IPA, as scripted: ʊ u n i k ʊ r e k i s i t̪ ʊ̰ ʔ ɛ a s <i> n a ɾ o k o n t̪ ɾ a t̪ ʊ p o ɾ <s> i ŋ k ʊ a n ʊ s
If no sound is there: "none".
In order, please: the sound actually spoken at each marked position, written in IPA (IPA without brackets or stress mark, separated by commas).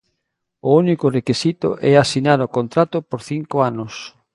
i, θ